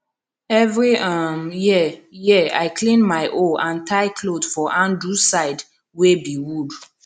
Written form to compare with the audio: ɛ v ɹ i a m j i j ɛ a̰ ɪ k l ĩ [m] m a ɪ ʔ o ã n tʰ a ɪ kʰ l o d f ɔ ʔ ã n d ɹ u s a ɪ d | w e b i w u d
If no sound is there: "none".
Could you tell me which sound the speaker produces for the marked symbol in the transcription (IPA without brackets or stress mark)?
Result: n